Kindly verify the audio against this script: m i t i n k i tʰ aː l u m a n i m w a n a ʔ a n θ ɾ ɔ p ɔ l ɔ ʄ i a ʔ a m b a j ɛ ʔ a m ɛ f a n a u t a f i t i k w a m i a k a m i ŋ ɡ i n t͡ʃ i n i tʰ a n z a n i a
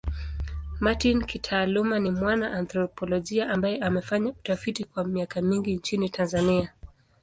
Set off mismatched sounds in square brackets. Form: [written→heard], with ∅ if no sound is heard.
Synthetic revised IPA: m [i→a] t i n k i tʰ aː l u m a n i m w a n a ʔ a n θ ɾ ɔ p ɔ l ɔ ʄ i a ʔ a m b a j ɛ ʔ a m ɛ f a [n→ɲ] a u t a f i t i k w a m i a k a m i ŋ ɡ i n t͡ʃ i n i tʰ a n z a n i a